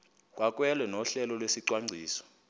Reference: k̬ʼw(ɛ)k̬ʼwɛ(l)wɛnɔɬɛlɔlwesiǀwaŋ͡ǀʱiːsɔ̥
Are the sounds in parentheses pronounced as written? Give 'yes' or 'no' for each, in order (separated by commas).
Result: no, yes